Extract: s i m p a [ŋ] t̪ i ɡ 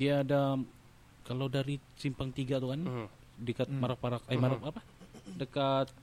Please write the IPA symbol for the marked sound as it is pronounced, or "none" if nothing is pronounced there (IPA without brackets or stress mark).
ŋ